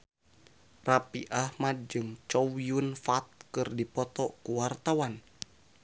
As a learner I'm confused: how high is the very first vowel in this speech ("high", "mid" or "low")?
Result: low